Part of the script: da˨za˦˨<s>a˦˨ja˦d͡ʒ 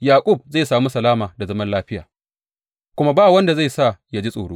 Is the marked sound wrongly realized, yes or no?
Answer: no